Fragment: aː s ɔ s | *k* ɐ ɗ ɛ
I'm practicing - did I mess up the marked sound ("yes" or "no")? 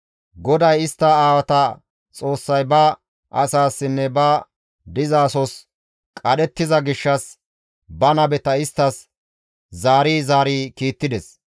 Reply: yes